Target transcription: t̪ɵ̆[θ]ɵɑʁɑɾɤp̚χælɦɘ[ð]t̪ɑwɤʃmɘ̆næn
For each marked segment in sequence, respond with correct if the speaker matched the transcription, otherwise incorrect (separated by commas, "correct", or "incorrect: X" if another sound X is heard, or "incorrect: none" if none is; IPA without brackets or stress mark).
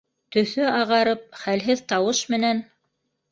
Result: correct, correct